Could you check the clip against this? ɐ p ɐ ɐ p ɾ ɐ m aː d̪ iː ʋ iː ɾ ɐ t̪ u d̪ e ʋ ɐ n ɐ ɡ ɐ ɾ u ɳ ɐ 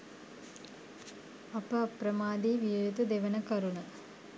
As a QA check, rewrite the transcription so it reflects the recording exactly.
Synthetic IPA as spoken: ɐ p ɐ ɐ p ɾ ɐ m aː d̪ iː ʋ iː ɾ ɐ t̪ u d̪ e ʋ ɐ n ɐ k ɐ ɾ u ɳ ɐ